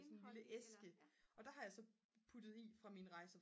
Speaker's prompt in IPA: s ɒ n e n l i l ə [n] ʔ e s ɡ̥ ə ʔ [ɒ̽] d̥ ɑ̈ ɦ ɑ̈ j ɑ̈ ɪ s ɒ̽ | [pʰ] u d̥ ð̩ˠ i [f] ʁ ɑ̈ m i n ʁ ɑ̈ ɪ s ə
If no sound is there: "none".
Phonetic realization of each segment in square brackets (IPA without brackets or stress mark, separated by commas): none, ɒ̽, pʰ, f